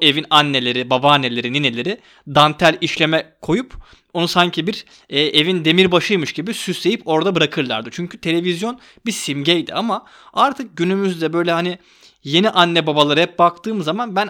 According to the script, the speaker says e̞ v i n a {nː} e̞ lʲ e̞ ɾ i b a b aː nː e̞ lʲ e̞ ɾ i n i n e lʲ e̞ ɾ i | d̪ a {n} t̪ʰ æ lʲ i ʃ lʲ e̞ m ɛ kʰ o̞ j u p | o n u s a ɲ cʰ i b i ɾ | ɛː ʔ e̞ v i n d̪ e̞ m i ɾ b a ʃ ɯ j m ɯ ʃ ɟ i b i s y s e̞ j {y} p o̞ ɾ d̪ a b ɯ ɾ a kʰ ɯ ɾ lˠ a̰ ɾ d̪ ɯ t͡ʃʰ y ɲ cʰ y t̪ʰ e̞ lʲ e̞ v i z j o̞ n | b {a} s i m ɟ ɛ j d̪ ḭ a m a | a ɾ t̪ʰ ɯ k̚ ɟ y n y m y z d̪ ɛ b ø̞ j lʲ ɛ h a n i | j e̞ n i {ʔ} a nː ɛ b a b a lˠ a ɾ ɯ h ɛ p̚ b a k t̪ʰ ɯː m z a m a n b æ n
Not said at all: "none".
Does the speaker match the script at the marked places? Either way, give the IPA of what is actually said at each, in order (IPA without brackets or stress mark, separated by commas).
nː, n, i, i, ʔ